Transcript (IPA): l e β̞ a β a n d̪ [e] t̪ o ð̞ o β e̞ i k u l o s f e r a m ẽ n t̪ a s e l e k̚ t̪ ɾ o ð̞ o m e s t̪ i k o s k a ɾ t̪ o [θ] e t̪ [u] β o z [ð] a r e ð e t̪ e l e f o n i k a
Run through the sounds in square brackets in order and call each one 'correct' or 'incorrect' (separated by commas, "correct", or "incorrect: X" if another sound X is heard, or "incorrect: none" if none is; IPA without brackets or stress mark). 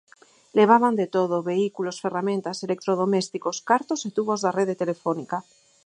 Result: correct, incorrect: s, correct, correct